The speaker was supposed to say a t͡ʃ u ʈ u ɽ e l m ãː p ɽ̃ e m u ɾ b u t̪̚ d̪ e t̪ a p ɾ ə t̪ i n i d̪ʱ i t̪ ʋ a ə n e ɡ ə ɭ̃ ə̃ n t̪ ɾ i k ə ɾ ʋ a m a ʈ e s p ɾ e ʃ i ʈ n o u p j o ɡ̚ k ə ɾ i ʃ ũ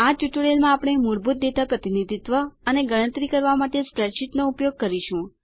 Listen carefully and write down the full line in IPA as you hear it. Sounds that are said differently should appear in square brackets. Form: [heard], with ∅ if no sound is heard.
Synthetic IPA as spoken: a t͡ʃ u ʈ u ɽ e l m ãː p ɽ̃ e m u ɾ b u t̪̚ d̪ e t̪ a p ɾ ə t̪ i n i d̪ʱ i t̪ ʋ [ə] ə n e ɡ ə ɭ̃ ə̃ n t̪ ɾ i k ə ɾ ʋ a m a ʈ e s p ɾ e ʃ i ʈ n o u p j o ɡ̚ k ə ɾ i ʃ ũ